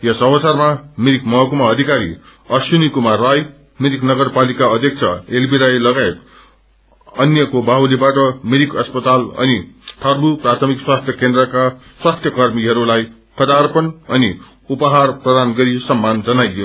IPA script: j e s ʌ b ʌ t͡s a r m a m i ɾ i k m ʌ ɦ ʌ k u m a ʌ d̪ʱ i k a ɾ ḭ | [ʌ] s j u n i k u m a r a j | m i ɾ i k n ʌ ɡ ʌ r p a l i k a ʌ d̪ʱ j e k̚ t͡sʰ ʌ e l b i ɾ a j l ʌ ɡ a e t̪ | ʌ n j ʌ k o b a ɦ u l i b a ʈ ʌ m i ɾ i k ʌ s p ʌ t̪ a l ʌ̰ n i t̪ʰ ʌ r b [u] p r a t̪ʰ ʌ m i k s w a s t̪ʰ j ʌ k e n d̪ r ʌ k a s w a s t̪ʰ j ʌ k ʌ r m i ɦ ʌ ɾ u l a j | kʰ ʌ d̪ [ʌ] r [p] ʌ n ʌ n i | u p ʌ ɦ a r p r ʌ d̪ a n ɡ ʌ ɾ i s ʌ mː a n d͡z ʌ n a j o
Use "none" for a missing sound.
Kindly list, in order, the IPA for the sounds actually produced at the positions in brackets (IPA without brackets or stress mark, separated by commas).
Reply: ʌ, u, a, p